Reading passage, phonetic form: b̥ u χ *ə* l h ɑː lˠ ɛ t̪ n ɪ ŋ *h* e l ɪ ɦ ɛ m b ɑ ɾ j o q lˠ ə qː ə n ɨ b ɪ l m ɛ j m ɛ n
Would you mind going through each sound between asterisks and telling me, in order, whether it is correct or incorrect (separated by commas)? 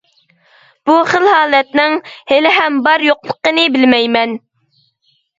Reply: correct, correct